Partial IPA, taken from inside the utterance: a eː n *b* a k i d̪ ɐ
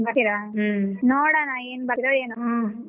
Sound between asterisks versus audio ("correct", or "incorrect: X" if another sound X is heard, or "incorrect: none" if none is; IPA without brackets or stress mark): correct